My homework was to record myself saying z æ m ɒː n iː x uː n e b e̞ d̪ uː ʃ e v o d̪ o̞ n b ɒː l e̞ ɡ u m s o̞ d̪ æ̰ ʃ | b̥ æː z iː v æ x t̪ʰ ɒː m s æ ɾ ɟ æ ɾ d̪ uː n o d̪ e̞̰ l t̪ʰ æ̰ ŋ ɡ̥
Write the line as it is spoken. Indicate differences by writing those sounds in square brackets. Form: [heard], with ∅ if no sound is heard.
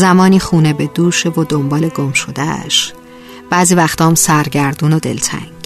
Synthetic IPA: z æ m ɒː n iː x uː n e b e̞ d̪ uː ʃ e v o d̪ o̞ [m] b ɒː l e̞ ɡ [o] m [ʃ] o̞ d̪ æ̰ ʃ | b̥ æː z iː v æ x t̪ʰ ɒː m s æ ɾ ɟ æ ɾ d̪ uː n o d̪ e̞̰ l t̪ʰ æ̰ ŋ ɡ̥